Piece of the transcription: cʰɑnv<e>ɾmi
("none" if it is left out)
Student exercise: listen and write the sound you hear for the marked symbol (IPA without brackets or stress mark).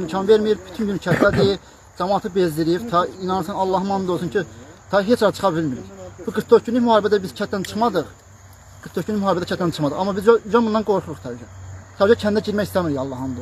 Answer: e